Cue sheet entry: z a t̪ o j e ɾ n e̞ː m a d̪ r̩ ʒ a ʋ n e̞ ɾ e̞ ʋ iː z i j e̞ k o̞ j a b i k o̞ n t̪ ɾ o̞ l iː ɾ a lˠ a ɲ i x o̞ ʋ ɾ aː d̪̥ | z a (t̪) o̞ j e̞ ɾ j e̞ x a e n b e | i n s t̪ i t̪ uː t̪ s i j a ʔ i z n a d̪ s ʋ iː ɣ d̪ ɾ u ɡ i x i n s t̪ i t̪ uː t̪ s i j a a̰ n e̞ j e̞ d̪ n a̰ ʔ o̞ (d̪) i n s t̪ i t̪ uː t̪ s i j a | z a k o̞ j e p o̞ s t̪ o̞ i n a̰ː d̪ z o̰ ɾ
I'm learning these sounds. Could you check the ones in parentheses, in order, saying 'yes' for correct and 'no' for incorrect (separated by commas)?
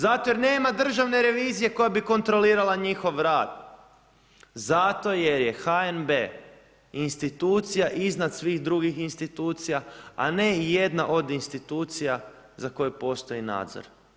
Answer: yes, yes